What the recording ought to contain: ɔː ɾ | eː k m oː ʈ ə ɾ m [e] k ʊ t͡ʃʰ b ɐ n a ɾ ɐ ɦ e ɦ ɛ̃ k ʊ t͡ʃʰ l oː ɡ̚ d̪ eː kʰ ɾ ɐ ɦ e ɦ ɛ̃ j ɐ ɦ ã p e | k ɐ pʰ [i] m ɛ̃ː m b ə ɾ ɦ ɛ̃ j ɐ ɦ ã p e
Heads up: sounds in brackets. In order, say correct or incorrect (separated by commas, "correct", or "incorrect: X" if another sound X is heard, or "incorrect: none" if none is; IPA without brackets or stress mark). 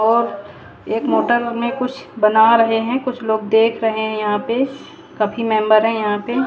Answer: incorrect: ẽ, correct